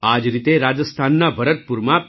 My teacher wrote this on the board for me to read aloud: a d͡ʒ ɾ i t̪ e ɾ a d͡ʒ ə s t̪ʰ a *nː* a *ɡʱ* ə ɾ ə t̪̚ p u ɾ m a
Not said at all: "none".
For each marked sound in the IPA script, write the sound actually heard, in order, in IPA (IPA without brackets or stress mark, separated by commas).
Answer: nː, bʱ